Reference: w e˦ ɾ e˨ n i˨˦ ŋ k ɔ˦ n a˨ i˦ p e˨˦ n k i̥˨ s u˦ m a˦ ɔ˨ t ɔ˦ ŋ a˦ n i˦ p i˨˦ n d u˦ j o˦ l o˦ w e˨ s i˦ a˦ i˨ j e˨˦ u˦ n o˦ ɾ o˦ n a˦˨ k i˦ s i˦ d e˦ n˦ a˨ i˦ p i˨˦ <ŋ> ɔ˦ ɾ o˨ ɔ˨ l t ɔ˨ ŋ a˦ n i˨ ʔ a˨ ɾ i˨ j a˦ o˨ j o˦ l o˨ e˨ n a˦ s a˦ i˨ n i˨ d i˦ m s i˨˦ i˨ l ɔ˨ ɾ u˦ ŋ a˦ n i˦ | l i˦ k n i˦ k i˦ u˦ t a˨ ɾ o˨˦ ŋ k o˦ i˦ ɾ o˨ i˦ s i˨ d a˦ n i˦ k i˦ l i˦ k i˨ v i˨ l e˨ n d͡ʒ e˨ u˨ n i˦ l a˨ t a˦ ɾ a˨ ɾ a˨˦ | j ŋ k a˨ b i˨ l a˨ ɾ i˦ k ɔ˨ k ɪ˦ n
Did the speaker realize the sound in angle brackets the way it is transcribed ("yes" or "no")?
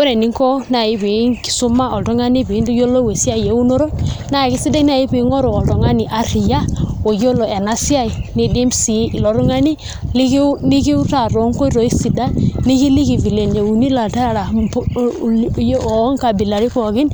yes